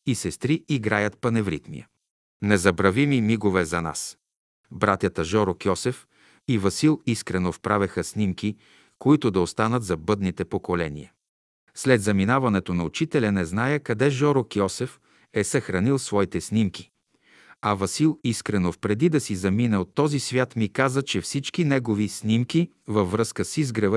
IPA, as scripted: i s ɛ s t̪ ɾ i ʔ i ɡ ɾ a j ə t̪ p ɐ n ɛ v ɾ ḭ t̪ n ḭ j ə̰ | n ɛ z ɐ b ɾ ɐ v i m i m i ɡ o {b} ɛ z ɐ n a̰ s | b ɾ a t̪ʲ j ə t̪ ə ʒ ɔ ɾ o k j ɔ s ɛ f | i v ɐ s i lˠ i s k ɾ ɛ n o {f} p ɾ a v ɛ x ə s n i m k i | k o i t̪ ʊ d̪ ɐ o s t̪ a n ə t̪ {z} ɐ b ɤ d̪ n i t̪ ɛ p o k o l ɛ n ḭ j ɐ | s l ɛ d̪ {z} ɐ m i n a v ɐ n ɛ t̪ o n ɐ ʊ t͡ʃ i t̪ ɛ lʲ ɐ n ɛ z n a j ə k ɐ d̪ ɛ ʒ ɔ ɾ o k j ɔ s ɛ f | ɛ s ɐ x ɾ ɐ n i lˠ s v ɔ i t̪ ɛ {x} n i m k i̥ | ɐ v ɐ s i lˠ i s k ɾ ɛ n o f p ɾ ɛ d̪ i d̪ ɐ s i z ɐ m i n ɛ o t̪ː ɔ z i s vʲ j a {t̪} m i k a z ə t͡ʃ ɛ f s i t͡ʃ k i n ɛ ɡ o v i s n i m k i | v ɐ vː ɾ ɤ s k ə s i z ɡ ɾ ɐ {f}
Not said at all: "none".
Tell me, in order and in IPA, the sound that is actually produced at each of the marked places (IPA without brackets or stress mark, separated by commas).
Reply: v, f, z, z, s, t̪, v